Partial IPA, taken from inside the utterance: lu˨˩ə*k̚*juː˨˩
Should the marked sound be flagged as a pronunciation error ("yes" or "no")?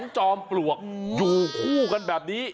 no